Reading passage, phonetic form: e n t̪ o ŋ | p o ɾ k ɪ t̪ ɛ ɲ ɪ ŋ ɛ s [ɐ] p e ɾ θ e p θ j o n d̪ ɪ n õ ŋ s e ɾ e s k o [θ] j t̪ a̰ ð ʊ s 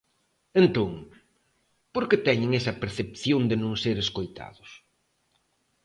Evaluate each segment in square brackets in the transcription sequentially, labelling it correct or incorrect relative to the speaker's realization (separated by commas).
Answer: correct, incorrect